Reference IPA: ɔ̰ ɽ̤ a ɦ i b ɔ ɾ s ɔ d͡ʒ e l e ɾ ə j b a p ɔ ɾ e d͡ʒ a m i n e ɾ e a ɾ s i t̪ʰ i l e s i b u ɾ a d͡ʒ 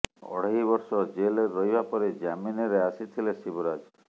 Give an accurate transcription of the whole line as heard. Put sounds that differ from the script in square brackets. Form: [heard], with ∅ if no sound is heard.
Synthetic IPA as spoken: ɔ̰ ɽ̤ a ɦ i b ɔ ɾ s ɔ d͡ʒ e l e ɾ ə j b a p ɔ ɾ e d͡ʒ a m i n e ɾ e a [∅] s i t̪ʰ i l e s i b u ɾ a d͡ʒ